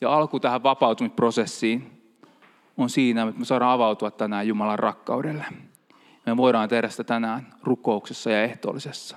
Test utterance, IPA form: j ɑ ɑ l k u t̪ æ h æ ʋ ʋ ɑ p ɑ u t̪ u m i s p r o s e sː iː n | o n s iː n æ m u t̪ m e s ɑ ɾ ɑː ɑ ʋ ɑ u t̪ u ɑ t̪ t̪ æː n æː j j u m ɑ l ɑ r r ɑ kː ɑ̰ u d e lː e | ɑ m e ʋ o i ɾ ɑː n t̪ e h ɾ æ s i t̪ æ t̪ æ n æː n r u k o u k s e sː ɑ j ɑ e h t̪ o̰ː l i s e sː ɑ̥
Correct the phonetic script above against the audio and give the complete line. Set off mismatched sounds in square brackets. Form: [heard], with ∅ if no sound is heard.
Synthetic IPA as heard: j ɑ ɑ l k u t̪ æ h æ ʋ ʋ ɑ p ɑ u t̪ u m i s p r o s e sː iː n | o n s iː n æ m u t̪ m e s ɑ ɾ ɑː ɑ ʋ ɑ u t̪ u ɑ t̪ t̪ [æ] n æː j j u m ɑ l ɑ r r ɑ kː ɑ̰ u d e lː e | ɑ m e ʋ o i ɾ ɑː n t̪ e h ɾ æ s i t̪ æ t̪ æ n æː n r u k o u k s e sː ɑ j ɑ e h t̪ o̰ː l i s e sː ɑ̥